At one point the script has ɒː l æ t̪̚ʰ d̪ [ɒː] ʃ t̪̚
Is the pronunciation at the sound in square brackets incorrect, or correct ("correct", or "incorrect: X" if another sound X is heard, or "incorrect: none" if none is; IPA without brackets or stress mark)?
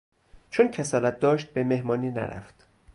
correct